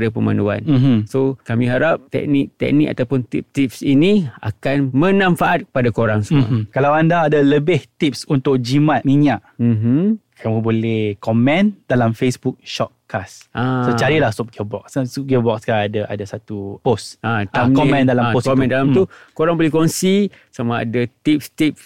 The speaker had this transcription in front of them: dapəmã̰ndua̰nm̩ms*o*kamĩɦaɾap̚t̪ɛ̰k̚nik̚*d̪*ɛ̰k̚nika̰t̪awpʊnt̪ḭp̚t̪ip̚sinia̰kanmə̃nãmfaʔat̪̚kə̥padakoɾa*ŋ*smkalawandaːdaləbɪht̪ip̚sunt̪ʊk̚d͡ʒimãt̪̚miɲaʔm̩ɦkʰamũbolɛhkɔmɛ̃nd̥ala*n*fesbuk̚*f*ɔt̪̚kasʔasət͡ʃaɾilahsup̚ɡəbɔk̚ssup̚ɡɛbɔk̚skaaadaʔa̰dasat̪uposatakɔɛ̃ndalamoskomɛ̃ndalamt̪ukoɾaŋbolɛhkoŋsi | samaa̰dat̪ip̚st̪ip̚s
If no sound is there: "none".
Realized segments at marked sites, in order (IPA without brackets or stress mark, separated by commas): o, t̪, ŋ, m, ʃ